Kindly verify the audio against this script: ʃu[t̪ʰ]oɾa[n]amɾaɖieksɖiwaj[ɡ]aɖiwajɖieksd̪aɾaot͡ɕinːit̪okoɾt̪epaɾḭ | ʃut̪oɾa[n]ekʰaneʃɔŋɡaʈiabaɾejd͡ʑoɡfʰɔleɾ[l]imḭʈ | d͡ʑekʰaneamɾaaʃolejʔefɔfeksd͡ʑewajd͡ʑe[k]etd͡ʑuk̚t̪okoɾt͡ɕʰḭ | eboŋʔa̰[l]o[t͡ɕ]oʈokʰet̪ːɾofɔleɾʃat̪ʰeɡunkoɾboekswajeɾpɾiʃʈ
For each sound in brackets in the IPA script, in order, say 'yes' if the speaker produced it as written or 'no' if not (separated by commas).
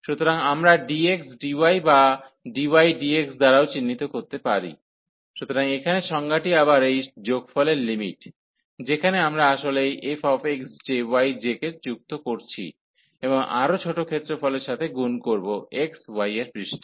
no, no, no, no, yes, yes, no, no